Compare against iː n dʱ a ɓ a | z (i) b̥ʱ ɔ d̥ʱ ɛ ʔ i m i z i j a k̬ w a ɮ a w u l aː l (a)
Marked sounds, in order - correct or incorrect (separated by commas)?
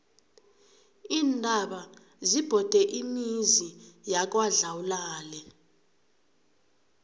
correct, incorrect